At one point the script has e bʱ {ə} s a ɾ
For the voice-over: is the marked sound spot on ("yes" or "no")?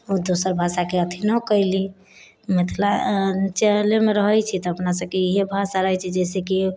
no